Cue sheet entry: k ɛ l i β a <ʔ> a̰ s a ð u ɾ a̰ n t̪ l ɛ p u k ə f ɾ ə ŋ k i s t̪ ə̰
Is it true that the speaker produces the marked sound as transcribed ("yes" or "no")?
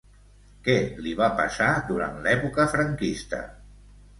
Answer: no